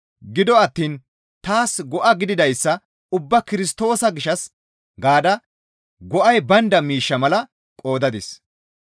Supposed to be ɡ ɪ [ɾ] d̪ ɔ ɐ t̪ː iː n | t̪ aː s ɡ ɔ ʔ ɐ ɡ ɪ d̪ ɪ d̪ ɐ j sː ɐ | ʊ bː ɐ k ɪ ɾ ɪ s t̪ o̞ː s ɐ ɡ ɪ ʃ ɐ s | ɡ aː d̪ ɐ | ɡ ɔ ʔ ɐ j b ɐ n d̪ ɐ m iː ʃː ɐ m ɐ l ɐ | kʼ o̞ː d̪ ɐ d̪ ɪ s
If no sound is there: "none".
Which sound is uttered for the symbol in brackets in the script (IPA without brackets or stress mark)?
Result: none